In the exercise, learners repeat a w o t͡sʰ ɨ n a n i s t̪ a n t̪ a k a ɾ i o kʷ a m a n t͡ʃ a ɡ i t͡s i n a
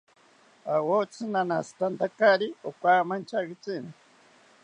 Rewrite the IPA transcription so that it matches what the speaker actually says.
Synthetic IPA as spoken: a w o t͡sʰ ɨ n a n a s t̪ a n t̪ a k a ɾ i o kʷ a m a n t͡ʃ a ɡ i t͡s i n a